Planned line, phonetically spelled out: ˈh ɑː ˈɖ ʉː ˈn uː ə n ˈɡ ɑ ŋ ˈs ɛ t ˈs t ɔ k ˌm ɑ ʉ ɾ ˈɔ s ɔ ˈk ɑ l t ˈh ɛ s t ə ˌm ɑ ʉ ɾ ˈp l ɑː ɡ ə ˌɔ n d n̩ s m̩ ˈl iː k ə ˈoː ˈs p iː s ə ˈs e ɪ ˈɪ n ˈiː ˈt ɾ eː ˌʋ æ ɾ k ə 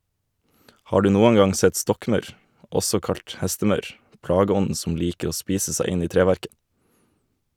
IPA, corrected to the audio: ˈh ɑː ˈɖ ʉː ˈn uː ə n ˈɡ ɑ ŋ ˈs ɛ t ˈs t ɔ k ˌm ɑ ʉ ɾ ˈɔ s ɔ ˈk ɑ l t ˈh ɛ s t ə ˌm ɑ ʉ ɾ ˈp l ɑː ɡ ə ˌɔ n d n̩ s m̩ ˈl iː k ə ˈoː ˈs p iː s ə ˈs æ ɪ ˈɪ n ˈiː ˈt ɾ eː ˌʋ æ ɾ k ə

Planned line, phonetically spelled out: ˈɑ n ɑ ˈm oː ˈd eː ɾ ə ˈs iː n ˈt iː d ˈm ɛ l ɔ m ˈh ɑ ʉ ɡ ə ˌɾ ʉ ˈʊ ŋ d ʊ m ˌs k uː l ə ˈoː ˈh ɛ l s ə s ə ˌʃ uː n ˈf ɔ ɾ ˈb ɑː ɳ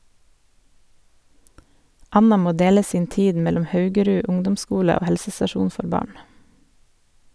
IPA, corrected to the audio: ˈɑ n ɑ ˈm oː ˈd eː l ə ˈs iː n ˈt iː d ˈm ɛ l ɔ m ˈh ɑ ʉ ɡ ə ˌɾ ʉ ˈʊ ŋ d ʊ m ˌs k uː l ə ˈoː ˈh ɛ l s ə s ɑ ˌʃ uː n ˈf ɔ ɾ ˈb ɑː ɳ

